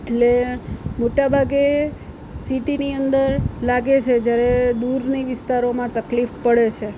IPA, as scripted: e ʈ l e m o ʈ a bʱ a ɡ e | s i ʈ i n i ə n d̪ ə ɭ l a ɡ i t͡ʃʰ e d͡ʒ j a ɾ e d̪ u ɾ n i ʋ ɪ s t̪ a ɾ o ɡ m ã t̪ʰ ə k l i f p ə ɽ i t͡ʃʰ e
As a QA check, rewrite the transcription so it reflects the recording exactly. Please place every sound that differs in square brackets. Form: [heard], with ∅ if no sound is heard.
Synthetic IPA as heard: e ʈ l e m o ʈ a bʱ a ɡ e | s i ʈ i n i ə n d̪ ə [ɾ] l a ɡ [e] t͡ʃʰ e d͡ʒ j a ɾ e d̪ u ɾ n i ʋ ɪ s t̪ a ɾ o [∅] m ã [t̪] ə k l i f p ə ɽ [e] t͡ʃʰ e